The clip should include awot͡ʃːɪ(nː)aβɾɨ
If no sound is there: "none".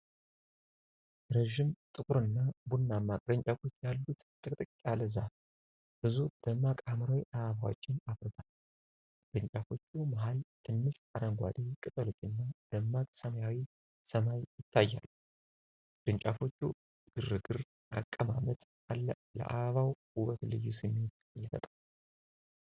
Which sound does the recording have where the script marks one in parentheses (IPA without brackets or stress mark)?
n